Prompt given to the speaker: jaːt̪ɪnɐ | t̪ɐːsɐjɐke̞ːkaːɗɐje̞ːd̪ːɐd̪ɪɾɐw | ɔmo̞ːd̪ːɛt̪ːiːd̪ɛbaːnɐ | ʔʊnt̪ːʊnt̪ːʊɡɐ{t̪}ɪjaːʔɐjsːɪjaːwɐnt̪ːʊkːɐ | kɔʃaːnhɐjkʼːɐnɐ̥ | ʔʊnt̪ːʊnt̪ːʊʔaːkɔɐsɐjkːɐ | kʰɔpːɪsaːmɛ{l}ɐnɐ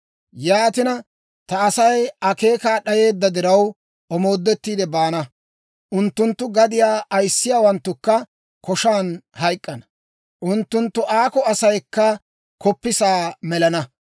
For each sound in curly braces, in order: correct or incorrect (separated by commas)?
incorrect, correct